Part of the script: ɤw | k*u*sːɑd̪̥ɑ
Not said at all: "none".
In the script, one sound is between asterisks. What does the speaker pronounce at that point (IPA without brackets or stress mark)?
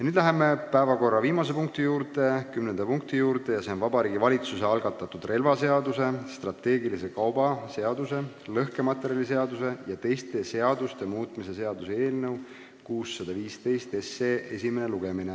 uː